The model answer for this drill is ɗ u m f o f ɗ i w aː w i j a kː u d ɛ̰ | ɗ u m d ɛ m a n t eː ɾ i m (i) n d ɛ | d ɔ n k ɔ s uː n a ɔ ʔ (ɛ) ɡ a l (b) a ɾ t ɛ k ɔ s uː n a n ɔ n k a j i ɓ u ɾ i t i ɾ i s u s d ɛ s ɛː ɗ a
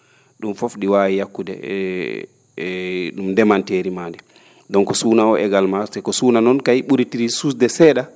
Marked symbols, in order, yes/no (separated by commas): no, yes, no